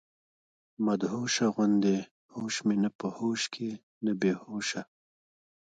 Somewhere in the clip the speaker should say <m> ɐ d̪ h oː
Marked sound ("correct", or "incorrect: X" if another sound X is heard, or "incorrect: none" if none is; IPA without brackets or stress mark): correct